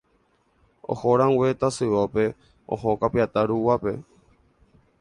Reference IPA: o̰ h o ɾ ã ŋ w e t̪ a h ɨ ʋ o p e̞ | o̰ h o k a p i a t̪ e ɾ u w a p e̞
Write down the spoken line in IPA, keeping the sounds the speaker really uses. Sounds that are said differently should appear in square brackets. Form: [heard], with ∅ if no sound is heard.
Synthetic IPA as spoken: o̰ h o ɾ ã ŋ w e t̪ a [s] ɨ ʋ o p e̞ | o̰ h o k a p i a t̪ [a] ɾ u w a p e̞